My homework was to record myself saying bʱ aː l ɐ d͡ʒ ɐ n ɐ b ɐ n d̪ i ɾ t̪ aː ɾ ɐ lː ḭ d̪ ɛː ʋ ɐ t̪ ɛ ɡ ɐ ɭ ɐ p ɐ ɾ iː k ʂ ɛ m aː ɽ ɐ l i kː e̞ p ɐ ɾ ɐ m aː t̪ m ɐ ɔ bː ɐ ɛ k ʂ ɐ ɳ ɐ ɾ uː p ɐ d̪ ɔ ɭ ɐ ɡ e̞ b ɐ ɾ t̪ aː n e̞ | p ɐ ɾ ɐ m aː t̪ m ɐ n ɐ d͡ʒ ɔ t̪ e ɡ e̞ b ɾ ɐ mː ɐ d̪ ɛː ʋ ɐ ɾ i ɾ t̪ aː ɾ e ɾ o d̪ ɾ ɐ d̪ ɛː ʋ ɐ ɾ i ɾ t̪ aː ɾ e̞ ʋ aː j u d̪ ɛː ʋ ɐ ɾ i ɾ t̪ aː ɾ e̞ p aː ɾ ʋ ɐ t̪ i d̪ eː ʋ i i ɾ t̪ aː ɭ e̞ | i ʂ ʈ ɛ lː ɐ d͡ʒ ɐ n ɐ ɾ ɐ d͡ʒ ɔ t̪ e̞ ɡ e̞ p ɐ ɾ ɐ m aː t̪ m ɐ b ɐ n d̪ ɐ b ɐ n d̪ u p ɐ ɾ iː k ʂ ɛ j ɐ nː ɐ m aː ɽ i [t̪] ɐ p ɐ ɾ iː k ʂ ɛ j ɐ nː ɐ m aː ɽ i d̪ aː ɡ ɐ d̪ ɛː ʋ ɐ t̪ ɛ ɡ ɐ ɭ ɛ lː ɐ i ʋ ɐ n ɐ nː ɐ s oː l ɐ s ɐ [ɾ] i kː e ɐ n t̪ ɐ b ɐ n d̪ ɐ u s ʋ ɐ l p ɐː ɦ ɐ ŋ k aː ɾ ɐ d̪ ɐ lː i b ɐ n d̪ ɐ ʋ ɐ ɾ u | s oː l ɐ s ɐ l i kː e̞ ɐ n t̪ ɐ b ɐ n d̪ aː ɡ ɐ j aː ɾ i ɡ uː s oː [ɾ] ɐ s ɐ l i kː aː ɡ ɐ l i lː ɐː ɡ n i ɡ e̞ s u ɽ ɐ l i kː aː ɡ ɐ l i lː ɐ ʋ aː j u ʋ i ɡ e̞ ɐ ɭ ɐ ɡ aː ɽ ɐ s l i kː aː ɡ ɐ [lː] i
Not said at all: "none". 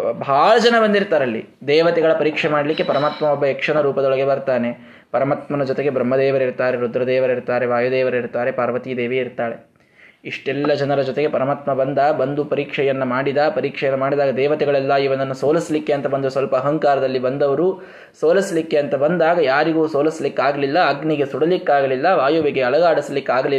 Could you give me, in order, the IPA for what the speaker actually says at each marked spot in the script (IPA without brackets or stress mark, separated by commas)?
d̪, l, l, l